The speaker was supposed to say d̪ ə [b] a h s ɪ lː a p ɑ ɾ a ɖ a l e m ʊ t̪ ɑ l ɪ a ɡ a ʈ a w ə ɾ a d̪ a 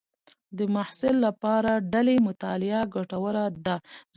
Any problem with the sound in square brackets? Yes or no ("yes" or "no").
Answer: yes